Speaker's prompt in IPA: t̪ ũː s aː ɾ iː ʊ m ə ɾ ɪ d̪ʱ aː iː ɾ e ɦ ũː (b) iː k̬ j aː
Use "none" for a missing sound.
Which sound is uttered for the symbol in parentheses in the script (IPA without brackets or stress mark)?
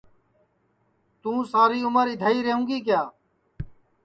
ɡ